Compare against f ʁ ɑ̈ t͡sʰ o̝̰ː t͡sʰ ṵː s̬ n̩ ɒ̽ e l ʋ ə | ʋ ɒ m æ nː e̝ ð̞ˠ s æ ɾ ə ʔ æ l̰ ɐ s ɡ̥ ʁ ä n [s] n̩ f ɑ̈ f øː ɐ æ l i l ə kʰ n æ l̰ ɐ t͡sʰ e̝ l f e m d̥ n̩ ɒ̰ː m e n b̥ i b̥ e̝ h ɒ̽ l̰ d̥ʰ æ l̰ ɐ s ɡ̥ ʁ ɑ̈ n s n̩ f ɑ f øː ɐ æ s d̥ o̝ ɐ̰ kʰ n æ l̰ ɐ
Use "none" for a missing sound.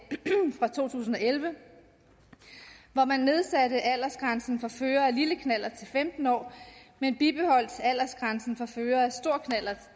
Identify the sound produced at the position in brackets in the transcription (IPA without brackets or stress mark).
s